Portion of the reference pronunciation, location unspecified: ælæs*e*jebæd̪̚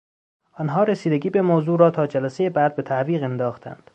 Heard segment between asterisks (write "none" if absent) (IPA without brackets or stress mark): e